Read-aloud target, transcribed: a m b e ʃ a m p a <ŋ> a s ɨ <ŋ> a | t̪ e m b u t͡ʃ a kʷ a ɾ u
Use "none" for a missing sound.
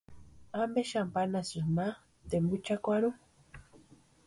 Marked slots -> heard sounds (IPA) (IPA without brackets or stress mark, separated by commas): n, m